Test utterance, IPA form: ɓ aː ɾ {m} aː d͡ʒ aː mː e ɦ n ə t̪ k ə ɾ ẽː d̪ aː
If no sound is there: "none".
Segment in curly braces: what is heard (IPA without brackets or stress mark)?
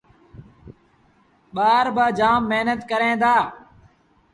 b